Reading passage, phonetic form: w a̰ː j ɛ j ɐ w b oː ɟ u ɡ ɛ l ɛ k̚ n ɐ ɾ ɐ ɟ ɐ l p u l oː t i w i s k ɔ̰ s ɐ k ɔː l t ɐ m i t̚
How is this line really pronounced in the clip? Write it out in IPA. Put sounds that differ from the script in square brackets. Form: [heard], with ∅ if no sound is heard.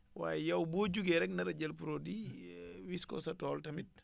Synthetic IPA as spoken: w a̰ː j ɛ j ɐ w b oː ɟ u ɡ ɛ [ɾ] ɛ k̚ n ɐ ɾ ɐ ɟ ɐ l p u [ɾ] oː [d] i w i s k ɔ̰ s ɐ [t] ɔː l t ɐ m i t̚